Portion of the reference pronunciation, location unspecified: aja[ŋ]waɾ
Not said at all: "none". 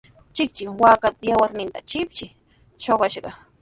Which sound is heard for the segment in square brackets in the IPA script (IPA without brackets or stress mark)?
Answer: none